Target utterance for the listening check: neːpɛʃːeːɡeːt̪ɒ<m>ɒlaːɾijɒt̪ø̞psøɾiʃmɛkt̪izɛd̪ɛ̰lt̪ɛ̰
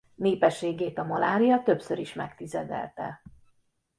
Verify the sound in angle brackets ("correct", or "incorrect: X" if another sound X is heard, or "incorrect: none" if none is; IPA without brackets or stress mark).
correct